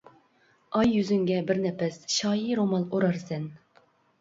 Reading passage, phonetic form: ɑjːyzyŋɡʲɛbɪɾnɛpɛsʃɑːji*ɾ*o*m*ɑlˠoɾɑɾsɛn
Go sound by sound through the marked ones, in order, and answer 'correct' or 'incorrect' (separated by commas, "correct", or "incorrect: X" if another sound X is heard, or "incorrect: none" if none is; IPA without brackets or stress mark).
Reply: correct, correct